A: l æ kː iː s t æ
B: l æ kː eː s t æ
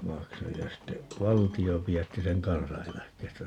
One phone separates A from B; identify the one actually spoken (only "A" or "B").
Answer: B